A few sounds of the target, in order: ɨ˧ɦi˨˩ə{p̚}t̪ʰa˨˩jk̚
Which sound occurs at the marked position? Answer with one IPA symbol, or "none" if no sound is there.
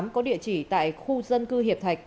p̚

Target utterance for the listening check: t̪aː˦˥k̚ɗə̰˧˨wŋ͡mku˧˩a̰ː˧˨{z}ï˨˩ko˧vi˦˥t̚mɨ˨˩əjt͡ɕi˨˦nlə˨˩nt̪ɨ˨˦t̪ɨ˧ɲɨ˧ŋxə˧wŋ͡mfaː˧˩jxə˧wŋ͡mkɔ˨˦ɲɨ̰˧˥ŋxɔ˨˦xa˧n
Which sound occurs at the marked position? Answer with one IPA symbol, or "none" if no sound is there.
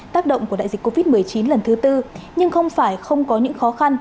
z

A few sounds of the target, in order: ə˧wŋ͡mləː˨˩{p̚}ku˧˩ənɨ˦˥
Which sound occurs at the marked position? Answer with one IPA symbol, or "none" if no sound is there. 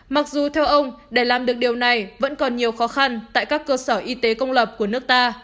p̚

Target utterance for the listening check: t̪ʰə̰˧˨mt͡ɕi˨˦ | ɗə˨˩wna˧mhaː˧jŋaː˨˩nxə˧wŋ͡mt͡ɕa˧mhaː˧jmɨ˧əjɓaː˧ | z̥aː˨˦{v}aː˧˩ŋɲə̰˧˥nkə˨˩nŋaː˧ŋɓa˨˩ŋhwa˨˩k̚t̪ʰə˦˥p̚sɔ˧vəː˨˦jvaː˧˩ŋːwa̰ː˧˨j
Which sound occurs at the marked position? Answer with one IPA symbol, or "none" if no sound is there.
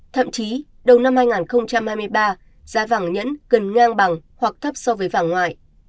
v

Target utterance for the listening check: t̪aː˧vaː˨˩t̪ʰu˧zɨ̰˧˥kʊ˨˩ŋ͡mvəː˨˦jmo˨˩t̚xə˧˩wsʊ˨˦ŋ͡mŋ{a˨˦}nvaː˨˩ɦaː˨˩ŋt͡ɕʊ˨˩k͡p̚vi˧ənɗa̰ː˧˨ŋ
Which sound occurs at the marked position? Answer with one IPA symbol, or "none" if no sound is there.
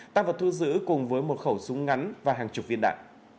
a˨˦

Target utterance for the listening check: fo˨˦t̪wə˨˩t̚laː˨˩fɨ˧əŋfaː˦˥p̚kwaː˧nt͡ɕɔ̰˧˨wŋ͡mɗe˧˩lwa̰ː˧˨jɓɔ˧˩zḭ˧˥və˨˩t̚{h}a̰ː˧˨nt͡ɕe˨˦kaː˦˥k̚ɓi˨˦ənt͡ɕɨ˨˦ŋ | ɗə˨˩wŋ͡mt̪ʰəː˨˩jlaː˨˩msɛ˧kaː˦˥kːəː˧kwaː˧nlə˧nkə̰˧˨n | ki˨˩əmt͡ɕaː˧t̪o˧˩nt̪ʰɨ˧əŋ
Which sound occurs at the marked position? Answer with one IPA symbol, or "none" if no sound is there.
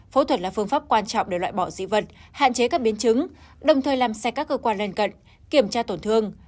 h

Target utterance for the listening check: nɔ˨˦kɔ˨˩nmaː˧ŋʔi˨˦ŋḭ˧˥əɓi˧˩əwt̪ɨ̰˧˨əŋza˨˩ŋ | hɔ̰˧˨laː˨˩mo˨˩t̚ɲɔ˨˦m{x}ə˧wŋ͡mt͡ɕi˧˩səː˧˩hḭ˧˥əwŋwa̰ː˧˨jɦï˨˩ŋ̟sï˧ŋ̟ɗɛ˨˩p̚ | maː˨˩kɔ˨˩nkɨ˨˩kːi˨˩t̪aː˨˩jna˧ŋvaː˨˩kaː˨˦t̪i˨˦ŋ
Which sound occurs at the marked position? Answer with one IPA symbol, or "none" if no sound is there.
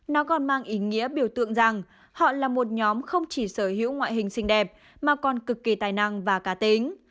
x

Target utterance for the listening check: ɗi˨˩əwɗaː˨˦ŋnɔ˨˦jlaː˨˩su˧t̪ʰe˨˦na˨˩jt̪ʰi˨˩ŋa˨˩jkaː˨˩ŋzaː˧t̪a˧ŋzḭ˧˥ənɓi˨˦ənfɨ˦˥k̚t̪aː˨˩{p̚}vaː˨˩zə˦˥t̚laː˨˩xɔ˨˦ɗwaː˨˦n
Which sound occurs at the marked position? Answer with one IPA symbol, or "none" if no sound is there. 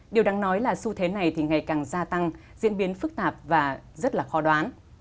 p̚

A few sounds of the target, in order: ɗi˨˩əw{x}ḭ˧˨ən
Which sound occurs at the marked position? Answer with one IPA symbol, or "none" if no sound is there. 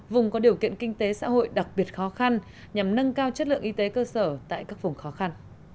k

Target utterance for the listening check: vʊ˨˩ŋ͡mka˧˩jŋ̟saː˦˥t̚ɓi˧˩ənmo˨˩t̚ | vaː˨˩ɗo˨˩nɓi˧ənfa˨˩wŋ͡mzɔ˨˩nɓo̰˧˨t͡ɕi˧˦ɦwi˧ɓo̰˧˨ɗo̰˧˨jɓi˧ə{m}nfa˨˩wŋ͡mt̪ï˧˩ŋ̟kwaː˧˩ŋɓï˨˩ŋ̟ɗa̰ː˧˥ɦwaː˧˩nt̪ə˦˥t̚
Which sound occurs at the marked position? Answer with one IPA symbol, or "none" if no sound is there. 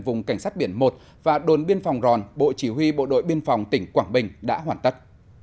none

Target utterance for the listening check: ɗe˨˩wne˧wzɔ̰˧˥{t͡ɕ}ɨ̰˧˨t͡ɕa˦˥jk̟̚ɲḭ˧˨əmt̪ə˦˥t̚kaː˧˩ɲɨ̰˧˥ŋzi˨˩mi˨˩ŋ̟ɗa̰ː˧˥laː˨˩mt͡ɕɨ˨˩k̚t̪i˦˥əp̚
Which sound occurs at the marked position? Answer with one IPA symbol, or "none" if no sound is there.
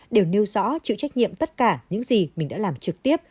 t͡ɕ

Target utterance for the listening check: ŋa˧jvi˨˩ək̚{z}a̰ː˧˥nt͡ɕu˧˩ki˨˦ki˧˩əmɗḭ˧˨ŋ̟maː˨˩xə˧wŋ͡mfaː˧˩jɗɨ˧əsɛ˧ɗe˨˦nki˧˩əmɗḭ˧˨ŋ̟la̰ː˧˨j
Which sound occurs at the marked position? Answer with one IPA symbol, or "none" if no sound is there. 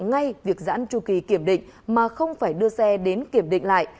z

